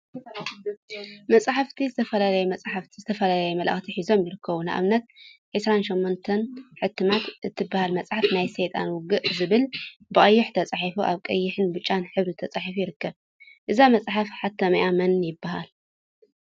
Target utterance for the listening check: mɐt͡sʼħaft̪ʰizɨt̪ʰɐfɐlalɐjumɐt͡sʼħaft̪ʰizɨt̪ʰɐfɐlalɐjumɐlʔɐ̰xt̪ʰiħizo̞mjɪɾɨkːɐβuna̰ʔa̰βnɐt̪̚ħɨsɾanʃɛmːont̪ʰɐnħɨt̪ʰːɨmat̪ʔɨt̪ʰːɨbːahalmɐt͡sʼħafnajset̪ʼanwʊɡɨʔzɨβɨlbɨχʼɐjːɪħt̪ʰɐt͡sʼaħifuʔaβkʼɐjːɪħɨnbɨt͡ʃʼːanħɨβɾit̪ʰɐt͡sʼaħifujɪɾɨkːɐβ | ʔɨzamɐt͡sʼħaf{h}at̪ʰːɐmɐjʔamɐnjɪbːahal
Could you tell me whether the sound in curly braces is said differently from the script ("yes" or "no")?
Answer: yes